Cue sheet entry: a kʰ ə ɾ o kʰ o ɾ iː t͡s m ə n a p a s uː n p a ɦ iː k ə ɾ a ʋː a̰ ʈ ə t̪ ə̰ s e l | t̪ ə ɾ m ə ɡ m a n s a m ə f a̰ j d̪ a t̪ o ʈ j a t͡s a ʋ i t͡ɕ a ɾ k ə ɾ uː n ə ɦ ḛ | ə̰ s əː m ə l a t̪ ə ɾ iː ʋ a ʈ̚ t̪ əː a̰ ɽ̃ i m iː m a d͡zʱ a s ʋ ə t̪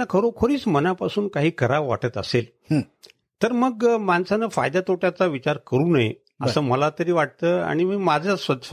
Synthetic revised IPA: a kʰ ə ɾ o kʰ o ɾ iː t͡s m ə n a p a s uː n k a ɦ iː k ə ɾ a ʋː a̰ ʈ ə t̪ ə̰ s e l | t̪ ə ɾ m ə ɡ m a n s a n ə f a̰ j d̪ a t̪ o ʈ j a t͡s a ʋ i t͡ɕ a ɾ k ə ɾ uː n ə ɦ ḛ | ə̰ s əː m ə l a t̪ ə ɾ iː ʋ a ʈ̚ t̪ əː a̰ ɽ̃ i m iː m a d͡zʱ a s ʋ ə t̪